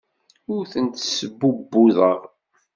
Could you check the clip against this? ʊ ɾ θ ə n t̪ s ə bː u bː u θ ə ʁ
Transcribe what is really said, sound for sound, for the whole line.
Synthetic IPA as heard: ʊ ɾ θ ə n t̪ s ə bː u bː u ð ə ʁ